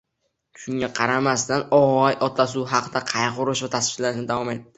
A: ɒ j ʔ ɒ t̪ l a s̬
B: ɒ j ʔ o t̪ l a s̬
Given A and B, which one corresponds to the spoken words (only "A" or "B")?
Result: A